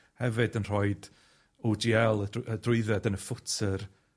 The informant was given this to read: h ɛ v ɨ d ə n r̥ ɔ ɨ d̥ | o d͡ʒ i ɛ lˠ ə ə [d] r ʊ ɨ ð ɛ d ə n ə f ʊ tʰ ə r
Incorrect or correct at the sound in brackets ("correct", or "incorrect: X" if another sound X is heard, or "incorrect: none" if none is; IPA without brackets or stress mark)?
correct